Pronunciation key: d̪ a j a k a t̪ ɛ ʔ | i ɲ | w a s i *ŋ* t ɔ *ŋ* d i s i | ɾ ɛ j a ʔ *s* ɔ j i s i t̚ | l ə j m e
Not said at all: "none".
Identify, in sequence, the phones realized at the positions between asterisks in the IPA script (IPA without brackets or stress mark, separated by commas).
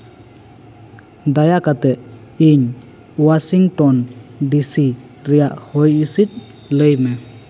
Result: ŋ, n, h